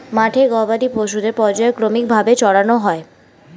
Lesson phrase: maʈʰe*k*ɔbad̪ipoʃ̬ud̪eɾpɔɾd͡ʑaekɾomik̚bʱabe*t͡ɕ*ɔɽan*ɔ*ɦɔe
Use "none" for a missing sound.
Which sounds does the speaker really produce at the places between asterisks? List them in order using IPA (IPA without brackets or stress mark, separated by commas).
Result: ɡ, t͡ɕ, o